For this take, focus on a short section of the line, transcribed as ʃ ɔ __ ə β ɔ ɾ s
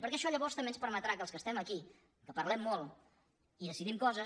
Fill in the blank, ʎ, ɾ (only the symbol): ʎ